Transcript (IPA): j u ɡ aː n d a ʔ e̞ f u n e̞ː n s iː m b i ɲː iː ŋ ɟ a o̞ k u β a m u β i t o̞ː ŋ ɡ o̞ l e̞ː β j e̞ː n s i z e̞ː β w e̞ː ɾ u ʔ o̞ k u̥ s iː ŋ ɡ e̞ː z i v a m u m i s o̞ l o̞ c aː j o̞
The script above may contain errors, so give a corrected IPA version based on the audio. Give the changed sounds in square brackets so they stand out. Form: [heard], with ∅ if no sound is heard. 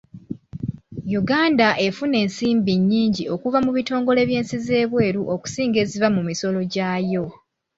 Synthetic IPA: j u ɡ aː n d a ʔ e̞ f u n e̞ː n s iː m b i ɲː iː [ɲ] ɟ [i] o̞ k u [v] a m u β i t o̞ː ŋ ɡ o̞ l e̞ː β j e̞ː n s i z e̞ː β w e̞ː ɾ u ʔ o̞ k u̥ s iː ŋ ɡ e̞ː z i v a m u m i s o̞ l o̞ [ɟ] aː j o̞